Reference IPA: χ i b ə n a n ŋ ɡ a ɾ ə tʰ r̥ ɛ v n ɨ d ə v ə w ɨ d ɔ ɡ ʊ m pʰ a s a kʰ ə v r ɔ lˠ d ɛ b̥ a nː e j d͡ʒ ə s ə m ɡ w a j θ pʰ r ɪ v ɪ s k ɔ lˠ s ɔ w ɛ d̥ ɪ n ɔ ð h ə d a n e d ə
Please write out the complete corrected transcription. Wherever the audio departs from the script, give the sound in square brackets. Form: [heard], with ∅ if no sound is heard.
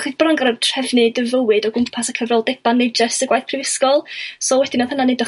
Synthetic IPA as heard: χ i b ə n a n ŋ ɡ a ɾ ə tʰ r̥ ɛ v n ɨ d ə v ə w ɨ d ɔ ɡ ʊ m pʰ a s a kʰ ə v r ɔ lˠ d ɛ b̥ a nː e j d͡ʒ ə s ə [∅] ɡ w a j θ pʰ r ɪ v ɪ s k ɔ lˠ s ɔ w ɛ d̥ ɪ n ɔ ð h ə [n] a n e d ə